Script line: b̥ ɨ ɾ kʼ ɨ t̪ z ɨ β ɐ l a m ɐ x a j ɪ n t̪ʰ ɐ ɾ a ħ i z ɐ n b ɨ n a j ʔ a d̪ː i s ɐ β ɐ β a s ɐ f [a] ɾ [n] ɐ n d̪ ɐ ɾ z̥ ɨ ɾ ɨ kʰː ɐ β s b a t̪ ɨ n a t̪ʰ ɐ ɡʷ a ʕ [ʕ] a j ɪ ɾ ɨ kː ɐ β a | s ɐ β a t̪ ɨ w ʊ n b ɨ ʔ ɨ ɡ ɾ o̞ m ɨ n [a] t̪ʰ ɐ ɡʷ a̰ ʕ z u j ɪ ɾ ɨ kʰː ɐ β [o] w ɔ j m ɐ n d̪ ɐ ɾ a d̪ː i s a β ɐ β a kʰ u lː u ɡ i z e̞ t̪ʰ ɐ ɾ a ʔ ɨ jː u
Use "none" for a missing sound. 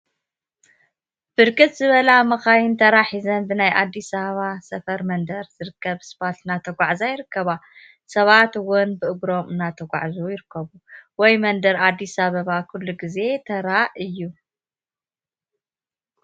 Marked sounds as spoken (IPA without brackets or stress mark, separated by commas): ɐ, m, z, a, u